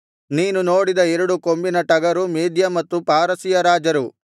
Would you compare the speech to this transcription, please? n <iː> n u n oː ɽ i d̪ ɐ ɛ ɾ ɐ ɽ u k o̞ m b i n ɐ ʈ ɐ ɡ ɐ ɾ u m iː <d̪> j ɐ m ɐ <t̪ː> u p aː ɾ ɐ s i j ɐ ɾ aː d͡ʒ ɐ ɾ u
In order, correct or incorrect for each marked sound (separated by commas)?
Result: correct, correct, correct